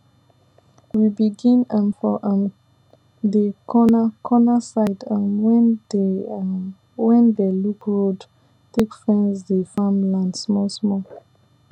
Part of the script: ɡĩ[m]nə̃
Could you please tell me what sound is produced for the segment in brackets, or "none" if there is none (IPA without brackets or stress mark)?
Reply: none